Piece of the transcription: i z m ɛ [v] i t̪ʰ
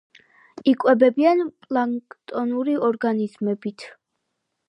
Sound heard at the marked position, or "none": b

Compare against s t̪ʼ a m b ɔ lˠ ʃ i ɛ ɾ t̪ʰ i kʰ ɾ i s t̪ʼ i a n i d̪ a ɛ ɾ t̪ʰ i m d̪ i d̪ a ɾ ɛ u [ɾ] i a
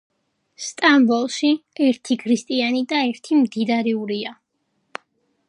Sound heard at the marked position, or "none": ɾ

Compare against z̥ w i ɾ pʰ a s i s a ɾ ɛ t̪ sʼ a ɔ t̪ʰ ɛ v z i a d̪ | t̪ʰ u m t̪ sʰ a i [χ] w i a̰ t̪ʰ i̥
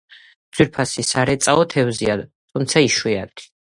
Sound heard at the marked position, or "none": ʃ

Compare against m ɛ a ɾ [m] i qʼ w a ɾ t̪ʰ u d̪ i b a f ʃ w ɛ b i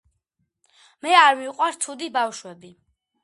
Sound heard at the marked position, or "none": m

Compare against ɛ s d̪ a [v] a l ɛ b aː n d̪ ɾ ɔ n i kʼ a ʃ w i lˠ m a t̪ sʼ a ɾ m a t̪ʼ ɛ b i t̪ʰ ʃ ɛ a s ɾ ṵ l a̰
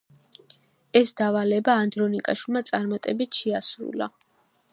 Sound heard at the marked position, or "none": v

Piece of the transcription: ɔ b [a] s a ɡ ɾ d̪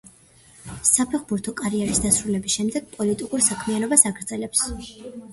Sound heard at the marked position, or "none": a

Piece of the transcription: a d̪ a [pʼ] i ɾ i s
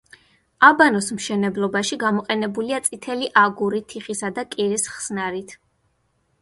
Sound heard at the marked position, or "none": kʼ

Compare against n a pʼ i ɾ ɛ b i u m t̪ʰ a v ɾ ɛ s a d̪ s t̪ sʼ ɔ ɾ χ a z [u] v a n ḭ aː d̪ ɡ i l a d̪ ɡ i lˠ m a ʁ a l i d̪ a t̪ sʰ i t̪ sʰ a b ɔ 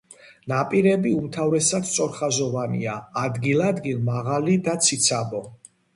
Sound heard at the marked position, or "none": ɔ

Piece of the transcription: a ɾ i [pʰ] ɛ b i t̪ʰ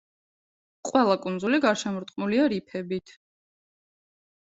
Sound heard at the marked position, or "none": pʰ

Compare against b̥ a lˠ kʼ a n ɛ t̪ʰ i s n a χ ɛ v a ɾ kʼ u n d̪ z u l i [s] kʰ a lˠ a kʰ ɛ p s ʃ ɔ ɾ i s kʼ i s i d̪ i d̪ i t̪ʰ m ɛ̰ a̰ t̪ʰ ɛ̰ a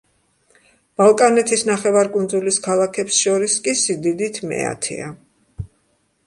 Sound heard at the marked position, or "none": s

